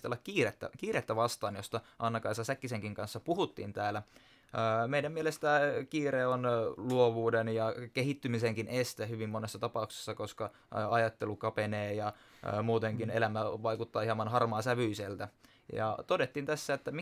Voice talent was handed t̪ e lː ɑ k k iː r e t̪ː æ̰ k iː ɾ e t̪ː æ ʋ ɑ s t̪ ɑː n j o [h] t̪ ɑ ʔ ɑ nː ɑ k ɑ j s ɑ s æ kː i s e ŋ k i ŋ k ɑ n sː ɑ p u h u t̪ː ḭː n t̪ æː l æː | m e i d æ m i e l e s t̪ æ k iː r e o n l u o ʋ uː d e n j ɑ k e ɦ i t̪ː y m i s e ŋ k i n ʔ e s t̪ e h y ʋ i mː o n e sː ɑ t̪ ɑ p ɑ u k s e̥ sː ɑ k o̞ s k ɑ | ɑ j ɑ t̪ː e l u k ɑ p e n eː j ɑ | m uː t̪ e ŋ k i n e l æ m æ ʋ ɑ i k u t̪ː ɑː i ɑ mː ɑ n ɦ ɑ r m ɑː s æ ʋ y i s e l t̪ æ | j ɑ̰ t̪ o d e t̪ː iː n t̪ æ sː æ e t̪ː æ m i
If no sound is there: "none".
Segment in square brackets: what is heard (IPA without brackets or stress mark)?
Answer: s